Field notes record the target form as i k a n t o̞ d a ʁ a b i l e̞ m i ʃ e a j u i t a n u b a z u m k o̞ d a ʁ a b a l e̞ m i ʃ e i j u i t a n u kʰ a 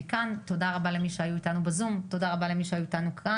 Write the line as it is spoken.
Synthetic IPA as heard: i k a n t o̞ d a ʁ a b a l e̞ m i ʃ e a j u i t a n u b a z u m t o̞ d a ʁ a b a l e̞ m i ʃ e a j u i t a n u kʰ a